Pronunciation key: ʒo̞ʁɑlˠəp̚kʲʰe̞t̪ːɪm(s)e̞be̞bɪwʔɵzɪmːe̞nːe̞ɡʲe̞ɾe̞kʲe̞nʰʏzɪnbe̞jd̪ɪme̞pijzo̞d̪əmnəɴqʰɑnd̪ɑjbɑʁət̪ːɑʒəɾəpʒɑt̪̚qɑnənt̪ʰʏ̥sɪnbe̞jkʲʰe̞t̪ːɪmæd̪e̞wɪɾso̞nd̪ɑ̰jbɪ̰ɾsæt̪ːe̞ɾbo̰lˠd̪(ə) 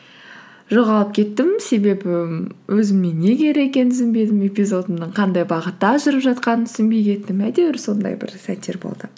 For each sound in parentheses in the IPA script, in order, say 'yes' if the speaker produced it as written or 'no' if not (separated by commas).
yes, yes